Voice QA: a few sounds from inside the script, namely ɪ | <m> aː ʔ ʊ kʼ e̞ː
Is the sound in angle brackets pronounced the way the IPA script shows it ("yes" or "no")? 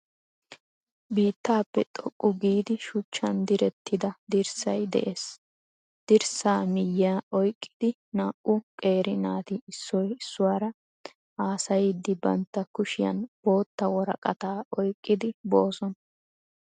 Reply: no